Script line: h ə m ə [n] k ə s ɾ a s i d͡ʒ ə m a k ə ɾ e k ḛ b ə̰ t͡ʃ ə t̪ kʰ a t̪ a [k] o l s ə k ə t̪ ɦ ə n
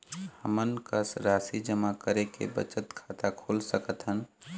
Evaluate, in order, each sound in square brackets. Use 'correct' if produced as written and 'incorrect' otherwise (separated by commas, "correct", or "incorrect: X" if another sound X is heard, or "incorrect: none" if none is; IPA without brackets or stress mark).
correct, incorrect: kʰ